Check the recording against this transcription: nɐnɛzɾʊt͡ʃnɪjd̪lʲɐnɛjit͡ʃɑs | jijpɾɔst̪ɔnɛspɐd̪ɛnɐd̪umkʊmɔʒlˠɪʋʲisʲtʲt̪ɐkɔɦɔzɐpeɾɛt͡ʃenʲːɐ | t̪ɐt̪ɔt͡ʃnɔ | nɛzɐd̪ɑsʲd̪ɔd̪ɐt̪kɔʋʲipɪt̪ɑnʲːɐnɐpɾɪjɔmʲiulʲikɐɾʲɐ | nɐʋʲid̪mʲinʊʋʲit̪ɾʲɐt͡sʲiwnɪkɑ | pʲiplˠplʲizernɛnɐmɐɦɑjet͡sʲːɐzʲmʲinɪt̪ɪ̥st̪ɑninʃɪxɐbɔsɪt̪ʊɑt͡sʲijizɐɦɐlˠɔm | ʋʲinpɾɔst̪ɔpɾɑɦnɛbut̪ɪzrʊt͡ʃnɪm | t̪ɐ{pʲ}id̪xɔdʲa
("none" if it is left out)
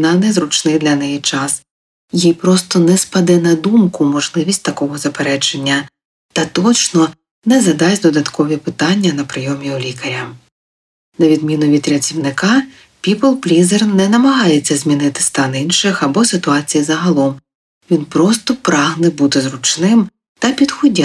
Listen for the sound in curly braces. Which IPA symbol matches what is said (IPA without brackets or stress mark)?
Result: pʲ